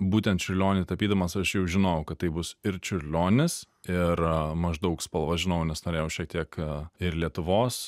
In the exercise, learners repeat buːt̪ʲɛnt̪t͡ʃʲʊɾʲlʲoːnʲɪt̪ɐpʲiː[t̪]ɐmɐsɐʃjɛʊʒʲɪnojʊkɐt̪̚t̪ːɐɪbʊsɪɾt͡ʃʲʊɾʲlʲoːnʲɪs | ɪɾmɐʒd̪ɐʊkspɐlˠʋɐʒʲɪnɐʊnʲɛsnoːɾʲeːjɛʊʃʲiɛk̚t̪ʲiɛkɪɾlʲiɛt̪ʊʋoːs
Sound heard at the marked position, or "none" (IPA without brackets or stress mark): d̪